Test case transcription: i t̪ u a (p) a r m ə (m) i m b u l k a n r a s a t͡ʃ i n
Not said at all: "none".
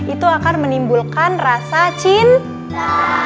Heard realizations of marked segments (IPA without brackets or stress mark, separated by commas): k, n